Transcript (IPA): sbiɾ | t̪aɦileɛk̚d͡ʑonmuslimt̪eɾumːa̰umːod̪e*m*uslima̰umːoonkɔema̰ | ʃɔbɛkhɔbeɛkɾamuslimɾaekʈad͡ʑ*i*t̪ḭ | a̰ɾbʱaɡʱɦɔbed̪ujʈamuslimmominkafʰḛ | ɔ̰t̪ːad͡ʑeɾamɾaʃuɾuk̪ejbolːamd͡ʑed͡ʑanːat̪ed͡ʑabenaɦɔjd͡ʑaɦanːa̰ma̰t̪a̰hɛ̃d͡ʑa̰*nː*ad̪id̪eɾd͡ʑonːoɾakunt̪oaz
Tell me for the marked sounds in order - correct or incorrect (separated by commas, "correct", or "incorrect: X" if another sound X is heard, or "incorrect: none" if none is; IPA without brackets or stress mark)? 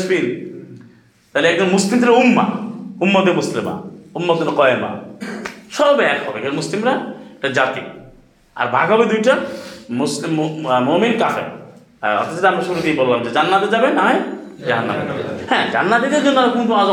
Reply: correct, incorrect: a, correct